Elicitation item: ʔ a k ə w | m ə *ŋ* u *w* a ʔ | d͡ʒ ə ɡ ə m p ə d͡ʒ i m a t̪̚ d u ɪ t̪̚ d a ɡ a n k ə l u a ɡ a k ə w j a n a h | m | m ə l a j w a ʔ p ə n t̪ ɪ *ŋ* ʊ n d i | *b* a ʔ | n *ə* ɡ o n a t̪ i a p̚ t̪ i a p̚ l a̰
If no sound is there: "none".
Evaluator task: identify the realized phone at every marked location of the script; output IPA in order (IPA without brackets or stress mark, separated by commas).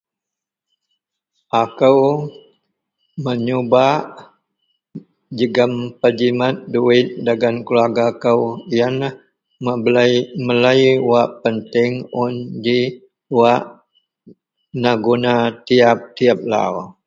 ɲ, b, ŋ, w, a